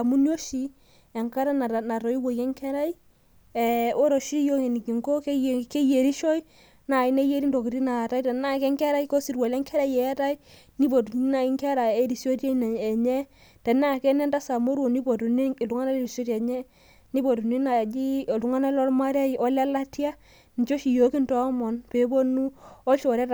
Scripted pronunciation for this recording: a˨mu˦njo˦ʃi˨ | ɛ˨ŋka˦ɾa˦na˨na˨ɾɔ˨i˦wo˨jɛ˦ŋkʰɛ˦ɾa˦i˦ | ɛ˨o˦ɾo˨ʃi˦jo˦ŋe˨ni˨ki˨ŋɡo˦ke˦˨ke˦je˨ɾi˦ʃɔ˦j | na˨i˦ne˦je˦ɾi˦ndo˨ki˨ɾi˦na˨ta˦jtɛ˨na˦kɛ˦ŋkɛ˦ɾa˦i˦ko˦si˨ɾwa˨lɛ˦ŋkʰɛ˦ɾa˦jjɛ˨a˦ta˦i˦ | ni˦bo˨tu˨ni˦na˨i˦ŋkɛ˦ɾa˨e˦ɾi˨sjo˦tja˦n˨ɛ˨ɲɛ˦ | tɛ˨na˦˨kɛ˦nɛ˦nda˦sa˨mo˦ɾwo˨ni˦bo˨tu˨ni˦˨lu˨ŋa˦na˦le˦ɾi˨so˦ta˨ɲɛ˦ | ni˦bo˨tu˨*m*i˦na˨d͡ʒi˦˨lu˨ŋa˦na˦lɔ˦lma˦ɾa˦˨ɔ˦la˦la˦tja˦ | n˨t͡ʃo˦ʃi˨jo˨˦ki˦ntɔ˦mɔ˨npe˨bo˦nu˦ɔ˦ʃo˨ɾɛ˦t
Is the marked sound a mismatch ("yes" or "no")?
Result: yes